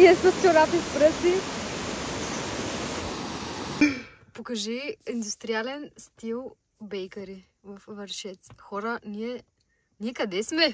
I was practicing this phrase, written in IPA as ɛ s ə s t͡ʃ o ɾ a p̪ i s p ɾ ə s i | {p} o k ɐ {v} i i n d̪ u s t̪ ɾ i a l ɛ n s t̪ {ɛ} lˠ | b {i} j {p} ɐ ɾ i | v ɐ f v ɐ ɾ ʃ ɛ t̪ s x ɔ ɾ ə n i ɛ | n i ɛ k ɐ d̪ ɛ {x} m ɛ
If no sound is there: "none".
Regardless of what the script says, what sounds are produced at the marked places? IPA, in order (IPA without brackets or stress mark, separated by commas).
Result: p, ʒ, i, ɛ, k, s